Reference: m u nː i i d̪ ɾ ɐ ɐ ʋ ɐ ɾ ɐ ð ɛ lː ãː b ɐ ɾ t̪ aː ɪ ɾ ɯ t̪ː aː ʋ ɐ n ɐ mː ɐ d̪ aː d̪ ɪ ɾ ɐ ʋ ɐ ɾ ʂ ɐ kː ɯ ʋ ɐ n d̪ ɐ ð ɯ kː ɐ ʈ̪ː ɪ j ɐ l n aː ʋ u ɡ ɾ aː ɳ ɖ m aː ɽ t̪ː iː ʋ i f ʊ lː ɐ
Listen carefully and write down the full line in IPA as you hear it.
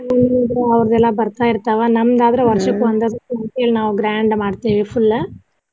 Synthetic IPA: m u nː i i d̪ ɾ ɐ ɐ ʋ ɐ ɾ ɐ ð ɛ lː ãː b ɐ ɾ t̪ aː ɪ ɾ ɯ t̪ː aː ʋ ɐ n ɐ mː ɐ d̪ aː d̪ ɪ ɾ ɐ ʋ ɐ ɾ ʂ ɐ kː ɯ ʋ ɐ n d̪ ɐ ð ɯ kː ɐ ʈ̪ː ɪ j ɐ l n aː ʋ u ɡ ɾ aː ɳ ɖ m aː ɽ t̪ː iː ʋ i f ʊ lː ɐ